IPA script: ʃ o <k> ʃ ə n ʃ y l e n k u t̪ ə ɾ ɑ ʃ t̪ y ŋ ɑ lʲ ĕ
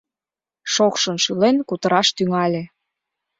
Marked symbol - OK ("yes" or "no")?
yes